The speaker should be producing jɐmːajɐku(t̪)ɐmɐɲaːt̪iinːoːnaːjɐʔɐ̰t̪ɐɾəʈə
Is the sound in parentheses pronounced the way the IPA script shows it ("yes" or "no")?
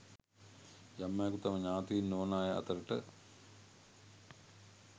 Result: yes